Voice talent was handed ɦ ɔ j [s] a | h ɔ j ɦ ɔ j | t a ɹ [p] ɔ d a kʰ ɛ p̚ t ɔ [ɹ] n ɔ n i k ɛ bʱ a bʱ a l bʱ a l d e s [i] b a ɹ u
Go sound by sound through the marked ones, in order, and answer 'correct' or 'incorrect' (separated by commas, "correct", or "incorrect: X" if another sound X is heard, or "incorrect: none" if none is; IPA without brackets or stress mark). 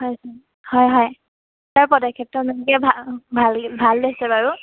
correct, correct, incorrect: none, incorrect: ɛ